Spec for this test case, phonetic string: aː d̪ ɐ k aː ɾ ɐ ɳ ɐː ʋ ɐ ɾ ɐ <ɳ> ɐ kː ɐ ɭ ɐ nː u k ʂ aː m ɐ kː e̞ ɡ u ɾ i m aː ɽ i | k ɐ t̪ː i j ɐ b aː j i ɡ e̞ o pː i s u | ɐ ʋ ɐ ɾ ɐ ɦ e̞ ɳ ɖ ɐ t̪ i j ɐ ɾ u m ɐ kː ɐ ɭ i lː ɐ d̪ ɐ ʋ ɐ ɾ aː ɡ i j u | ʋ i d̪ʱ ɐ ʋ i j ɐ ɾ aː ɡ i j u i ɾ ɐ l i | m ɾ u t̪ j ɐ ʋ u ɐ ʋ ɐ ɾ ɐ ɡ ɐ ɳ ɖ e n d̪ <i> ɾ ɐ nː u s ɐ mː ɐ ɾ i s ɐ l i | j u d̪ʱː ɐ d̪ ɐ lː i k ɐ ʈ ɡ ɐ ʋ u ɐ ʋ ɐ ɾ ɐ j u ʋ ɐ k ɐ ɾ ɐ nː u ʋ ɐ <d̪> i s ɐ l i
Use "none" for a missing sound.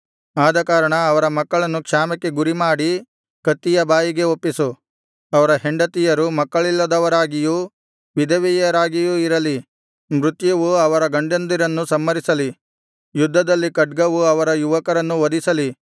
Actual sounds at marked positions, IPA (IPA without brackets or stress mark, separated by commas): m, i, d̪